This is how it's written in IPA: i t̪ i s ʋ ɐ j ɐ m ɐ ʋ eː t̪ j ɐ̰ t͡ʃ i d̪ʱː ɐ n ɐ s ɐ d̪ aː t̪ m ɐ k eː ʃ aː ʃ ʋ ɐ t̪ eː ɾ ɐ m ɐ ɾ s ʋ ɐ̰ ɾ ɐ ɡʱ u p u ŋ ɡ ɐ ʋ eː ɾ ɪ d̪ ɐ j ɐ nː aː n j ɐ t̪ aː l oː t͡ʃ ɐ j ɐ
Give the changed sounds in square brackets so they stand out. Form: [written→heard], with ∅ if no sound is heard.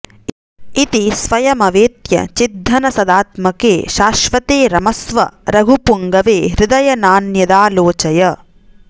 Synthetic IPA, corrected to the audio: i t̪ i s ʋ ɐ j ɐ m ɐ ʋ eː t̪ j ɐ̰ t͡ʃ i d̪ʱː ɐ n ɐ s ɐ d̪ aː t̪ m ɐ k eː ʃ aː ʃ ʋ ɐ t̪ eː ɾ ɐ m ɐ [ɾ→∅] s ʋ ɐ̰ ɾ ɐ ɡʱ u p u ŋ ɡ ɐ ʋ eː ɾ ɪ d̪ ɐ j ɐ [nː→n] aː n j ɐ [t̪→d̪] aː l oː t͡ʃ ɐ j ɐ